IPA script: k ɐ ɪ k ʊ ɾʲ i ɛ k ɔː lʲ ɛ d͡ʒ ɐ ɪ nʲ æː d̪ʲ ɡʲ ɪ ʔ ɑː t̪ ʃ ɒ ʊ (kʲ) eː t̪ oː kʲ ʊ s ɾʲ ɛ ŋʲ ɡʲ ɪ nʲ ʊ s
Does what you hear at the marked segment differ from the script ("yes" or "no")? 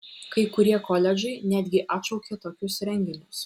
no